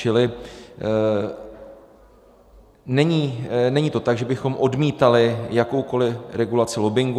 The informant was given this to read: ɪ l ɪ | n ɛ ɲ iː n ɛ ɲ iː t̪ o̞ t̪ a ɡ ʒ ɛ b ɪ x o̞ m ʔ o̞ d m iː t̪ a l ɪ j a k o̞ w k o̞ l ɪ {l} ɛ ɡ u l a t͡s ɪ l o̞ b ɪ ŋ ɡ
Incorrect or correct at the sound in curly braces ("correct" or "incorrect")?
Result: incorrect